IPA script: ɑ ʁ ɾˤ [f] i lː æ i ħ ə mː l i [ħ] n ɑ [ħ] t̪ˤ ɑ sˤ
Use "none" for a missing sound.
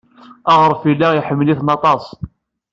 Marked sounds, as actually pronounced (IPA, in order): f, θ, none

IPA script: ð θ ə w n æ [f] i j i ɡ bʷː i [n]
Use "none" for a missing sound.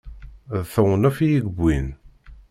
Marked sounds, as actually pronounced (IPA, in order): f, n

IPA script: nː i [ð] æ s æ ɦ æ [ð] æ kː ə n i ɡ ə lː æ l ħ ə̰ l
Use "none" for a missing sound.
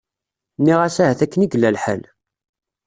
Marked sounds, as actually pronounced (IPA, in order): ʁ, θ

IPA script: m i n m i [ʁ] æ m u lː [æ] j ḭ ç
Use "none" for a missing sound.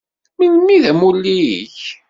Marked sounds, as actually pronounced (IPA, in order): ð, i

